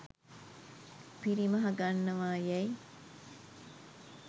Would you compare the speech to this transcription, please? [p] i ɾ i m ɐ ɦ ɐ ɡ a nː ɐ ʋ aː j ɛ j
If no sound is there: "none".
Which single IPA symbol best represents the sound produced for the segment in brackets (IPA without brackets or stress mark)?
p